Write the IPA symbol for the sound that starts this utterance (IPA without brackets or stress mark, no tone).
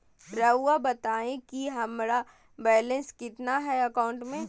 ɾ